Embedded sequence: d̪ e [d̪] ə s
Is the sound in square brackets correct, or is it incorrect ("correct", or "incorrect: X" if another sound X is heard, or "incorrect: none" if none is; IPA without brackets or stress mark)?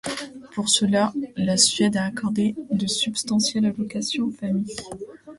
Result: correct